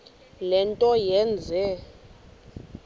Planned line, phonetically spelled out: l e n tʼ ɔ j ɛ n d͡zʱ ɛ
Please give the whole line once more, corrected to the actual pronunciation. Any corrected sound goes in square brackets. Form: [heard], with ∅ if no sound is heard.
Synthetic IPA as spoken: l [ɛ] n tʼ ɔ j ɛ n d͡zʱ ɛ